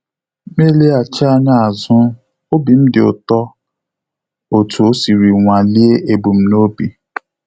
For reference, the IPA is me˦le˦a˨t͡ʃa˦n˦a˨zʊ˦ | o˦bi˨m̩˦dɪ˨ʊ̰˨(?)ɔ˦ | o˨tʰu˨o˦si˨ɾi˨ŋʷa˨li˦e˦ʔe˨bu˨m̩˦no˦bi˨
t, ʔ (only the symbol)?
t